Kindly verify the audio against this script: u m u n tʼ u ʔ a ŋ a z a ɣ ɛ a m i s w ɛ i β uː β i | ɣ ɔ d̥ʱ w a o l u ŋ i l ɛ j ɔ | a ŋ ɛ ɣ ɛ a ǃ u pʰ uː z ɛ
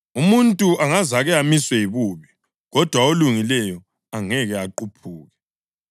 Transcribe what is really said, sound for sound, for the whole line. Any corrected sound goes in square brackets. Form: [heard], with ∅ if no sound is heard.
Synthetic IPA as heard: u m u n tʼ u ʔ a ŋ a z a ɣ ɛ a m i s w ɛ i β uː β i | ɣ ɔ d̥ʱ w a o l u ŋ i l ɛ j ɔ | a ŋ ɛ ɣ ɛ a ǃ u pʰ uː [ɣ] ɛ